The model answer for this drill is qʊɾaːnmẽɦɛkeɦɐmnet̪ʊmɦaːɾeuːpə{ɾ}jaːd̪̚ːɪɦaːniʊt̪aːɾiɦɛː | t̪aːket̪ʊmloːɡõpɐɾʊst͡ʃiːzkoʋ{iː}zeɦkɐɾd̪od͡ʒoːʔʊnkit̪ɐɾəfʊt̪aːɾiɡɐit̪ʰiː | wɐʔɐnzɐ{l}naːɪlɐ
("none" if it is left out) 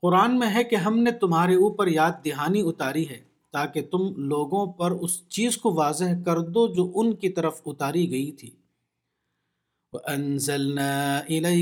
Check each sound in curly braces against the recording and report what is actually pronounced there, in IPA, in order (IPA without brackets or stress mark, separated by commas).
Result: ɾ, aː, l